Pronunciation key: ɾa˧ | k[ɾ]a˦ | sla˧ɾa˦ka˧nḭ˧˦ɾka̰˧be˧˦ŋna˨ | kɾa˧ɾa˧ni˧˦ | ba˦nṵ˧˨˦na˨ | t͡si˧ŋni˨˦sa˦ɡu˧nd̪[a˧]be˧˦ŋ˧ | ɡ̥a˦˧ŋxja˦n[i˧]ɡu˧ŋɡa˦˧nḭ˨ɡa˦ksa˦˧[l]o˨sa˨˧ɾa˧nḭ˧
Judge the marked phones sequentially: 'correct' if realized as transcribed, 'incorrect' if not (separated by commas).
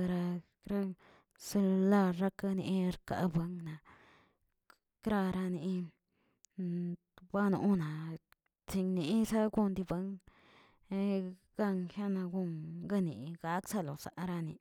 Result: correct, incorrect, incorrect, correct